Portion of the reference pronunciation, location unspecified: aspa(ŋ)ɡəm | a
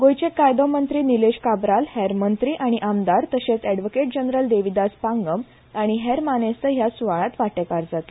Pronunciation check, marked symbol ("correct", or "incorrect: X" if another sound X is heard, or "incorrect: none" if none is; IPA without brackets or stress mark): correct